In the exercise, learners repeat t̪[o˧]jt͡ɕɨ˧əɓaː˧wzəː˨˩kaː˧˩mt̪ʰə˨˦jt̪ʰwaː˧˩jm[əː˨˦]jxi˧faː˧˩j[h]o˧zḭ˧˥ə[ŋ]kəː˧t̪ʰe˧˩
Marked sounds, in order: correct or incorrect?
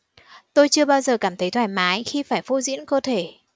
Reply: correct, incorrect: aː˨˦, incorrect: f, incorrect: n

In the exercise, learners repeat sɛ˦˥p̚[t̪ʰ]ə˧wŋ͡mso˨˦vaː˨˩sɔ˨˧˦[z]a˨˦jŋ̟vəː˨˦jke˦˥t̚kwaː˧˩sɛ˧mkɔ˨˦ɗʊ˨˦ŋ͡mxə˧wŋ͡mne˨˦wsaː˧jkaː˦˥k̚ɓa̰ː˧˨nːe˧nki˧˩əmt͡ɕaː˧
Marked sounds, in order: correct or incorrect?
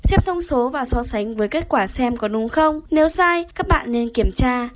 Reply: correct, incorrect: s

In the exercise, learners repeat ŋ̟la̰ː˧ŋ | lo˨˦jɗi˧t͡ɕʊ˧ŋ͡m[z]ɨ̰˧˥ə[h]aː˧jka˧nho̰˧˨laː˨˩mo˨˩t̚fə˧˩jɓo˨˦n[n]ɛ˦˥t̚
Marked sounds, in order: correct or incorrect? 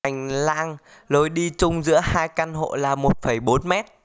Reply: correct, correct, incorrect: m

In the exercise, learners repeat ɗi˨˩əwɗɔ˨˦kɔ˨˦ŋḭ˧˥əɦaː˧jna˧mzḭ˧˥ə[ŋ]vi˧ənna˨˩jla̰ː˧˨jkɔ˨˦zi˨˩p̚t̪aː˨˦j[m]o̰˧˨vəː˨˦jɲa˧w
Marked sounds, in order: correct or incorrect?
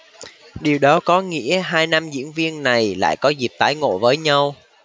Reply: incorrect: n, incorrect: ŋ

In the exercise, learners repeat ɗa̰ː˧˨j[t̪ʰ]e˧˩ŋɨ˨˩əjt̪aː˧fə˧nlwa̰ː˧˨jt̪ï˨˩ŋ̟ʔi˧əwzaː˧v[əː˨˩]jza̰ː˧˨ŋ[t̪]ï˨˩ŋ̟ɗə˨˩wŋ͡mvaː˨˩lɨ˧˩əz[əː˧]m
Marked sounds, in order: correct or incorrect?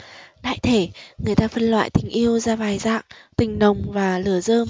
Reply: correct, incorrect: aː˨˩, correct, correct

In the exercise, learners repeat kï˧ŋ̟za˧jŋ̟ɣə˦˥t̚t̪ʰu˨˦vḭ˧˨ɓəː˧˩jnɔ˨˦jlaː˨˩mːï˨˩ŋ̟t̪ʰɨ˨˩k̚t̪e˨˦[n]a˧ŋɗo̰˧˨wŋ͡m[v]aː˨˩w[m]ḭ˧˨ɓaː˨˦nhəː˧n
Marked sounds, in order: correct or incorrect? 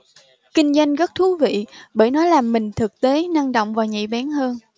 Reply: correct, correct, incorrect: ɲ

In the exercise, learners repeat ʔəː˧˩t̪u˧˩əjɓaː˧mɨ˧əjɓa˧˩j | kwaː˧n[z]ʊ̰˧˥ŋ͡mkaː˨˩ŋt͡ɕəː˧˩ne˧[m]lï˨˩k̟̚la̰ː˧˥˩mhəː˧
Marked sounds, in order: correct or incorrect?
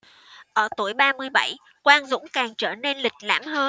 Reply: correct, incorrect: n

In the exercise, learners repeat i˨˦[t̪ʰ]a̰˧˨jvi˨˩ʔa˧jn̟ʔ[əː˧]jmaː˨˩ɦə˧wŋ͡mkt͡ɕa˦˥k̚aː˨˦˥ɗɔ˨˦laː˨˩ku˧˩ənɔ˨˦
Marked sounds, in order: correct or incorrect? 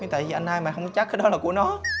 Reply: incorrect: t̪, incorrect: aː˧

